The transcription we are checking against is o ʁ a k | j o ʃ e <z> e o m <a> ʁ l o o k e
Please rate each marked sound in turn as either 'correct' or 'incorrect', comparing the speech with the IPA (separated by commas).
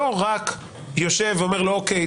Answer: incorrect, incorrect